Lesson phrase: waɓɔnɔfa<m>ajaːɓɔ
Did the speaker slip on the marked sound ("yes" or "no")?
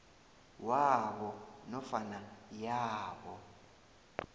yes